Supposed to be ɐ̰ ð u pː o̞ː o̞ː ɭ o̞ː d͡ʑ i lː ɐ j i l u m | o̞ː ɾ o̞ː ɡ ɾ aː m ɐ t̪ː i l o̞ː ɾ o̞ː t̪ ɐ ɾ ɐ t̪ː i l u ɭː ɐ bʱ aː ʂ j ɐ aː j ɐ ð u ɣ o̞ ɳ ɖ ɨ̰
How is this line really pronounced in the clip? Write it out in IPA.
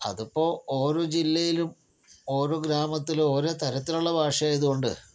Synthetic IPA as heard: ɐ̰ ð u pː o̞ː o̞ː ɾ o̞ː d͡ʑ i lː ɐ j i l u m | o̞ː ɾ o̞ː ɡ ɾ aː m ɐ t̪ː i l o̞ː ɾ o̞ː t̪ ɐ ɾ ɐ t̪ː i l u ɭː ɐ bʱ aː ʂ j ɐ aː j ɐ ð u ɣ o̞ ɳ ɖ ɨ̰

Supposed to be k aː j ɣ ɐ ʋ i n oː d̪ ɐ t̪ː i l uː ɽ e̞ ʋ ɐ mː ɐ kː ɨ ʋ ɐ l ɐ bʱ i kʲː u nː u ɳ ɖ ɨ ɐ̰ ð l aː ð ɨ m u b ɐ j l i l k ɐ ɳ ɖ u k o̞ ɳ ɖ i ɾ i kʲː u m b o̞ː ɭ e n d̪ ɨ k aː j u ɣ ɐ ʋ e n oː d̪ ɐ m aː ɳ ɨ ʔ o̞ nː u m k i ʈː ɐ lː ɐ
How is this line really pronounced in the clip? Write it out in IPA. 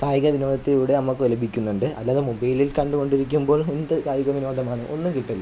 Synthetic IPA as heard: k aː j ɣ ɐ ʋ i n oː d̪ ɐ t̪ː i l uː ɽ e̞ ɐ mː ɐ kː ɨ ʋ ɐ l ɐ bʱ i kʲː u nː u ɳ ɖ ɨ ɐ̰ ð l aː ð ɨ m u b ɐ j l i l k ɐ ɳ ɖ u k o̞ ɳ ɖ i ɾ i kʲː u m b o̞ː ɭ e n d̪ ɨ k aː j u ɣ ɐ ʋ i n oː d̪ ɐ m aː ɳ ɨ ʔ o̞ nː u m k i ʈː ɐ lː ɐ

